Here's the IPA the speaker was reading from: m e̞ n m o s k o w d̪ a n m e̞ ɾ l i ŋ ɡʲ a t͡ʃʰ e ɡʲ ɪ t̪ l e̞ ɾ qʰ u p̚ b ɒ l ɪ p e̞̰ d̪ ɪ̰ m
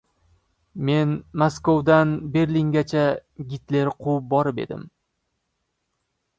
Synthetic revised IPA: m e̞ n m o s k o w d̪ a n b e̞ ɾ l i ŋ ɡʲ a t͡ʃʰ a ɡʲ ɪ t̪ l e̞ ɾ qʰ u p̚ b ɒ ɾ ɪ p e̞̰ d̪ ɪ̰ m